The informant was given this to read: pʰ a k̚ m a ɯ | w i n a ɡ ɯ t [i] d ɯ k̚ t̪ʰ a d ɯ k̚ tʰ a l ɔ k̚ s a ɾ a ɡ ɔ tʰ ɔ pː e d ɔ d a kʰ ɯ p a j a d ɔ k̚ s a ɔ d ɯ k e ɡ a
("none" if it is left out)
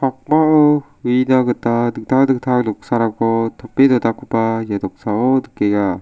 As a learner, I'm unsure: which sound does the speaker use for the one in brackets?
a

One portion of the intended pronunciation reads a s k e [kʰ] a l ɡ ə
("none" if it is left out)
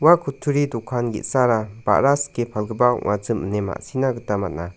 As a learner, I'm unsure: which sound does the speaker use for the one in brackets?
pʰ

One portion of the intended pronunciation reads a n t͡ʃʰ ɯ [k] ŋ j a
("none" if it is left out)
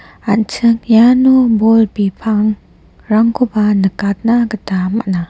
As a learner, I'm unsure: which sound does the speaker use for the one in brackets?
none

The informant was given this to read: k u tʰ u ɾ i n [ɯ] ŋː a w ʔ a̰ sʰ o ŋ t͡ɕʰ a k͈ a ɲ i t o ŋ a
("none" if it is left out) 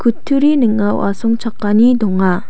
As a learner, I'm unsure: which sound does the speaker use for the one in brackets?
ɯ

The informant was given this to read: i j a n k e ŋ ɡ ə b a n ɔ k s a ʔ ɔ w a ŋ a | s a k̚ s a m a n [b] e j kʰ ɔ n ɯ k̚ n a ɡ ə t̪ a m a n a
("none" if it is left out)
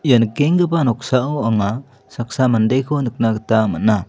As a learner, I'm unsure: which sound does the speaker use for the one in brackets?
d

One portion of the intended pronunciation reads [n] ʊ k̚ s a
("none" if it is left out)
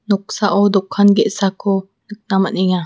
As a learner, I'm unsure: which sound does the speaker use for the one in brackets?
n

